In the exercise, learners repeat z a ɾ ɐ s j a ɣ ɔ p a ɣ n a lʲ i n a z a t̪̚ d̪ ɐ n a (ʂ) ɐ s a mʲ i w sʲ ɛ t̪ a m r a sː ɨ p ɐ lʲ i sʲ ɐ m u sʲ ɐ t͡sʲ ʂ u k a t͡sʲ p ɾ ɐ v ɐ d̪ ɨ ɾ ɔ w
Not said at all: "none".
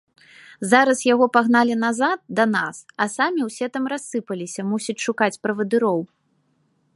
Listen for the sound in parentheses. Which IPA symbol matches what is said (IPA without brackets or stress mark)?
s